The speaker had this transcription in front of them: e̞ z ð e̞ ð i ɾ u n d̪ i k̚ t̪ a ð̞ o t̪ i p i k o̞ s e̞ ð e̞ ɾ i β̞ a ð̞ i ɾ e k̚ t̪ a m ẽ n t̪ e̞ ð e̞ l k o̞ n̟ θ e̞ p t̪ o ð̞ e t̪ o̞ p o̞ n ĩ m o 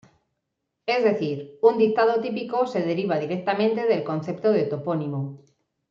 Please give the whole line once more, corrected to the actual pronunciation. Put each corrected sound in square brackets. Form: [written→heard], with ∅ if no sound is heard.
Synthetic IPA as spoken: e̞ z ð e̞ [ð→θ] i ɾ u n d̪ i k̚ t̪ a ð̞ o t̪ i p i k o̞ s e̞ ð e̞ ɾ i β̞ a ð̞ i ɾ e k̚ t̪ a m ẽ n t̪ e̞ ð e̞ l k o̞ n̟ θ e̞ p t̪ o ð̞ e t̪ o̞ p o̞ n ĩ m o